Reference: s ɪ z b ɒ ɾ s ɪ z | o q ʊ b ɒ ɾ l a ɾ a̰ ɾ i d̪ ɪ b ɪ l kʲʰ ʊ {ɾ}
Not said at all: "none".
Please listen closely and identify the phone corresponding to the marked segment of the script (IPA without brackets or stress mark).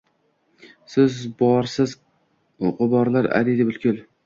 l